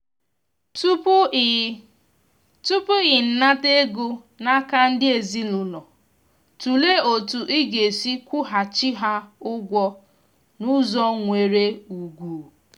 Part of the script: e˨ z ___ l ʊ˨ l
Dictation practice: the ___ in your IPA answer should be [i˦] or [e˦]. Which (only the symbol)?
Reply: i˦